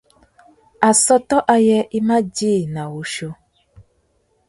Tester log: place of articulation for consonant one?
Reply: alveolar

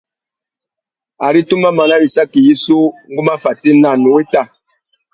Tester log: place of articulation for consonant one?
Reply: alveolar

